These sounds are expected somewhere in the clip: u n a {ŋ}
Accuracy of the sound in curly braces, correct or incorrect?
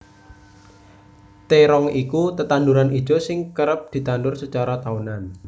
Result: incorrect